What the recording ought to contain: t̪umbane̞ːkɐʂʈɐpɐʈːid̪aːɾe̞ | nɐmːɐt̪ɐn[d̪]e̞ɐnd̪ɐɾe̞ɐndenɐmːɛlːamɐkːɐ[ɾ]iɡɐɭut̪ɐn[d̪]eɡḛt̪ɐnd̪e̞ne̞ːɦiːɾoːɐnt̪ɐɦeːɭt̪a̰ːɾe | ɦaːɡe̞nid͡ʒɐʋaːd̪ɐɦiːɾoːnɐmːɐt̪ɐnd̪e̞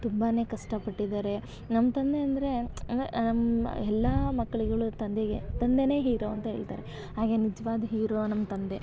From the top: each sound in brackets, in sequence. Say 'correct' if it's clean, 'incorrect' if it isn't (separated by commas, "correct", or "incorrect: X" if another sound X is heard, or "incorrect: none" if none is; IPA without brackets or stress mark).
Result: correct, incorrect: ɭ, correct